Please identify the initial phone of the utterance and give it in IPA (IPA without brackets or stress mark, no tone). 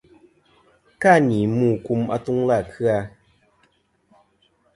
k